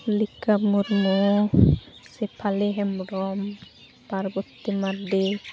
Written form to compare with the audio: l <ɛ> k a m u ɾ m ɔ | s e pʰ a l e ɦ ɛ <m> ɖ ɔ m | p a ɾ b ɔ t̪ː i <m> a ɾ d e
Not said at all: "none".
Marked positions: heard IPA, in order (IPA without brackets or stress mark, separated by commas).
i, m, m